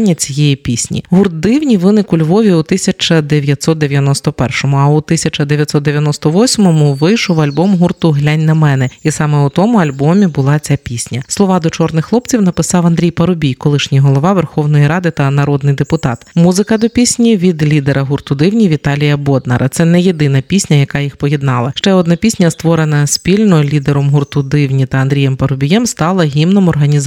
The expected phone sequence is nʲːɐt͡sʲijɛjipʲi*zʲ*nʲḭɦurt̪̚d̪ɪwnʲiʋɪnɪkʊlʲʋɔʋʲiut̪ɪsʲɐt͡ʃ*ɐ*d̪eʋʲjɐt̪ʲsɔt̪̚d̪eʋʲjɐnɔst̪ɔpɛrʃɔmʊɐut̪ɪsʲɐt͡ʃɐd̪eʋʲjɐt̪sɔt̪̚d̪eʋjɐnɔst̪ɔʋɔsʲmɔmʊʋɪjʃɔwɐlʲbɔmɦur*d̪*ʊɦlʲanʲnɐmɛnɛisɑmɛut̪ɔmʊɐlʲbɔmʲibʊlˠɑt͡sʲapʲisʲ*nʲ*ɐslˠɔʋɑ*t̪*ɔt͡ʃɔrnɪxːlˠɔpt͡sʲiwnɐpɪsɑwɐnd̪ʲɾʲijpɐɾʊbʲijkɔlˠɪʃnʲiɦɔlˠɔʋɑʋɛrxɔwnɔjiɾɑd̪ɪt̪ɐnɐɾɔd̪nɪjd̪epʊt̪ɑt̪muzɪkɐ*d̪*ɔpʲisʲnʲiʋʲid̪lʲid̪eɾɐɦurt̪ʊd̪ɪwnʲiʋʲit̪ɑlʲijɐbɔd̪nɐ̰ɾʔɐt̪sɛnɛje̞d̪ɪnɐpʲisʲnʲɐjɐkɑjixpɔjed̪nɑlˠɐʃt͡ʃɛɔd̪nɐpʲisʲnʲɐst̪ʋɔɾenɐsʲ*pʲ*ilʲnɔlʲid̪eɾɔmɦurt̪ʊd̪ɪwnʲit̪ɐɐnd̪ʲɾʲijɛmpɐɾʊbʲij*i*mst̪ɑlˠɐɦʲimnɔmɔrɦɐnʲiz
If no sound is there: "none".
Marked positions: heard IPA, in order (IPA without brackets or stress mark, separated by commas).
sʲ, ɐ, t̪, nʲ, d̪, d̪, pʲ, ɛ